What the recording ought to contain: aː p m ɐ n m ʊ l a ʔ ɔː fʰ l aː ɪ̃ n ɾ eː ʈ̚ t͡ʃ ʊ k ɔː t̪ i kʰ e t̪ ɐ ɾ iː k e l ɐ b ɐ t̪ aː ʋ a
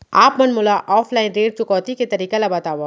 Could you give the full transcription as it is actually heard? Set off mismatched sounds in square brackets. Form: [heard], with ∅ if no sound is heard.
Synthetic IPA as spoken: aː p m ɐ n m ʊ l a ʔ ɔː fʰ l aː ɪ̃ n ɾ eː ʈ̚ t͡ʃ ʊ k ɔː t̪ i [k] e t̪ ɐ ɾ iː k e l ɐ b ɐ t̪ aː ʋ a